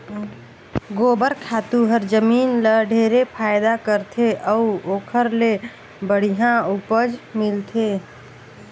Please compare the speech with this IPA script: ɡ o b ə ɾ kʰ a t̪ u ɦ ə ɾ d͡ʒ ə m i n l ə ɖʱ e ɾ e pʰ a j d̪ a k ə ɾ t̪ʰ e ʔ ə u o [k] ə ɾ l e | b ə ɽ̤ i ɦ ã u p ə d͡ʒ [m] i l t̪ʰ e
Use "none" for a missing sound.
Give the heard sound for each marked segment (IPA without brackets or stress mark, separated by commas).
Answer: kʰ, m